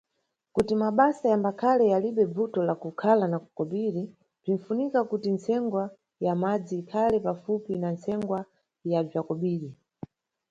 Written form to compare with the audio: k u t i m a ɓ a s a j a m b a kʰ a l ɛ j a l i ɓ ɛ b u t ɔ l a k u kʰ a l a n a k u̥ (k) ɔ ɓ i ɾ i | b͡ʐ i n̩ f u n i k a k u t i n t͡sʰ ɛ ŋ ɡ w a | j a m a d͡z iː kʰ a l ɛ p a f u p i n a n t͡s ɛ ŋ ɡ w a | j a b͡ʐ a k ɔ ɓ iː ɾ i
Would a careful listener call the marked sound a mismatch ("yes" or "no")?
no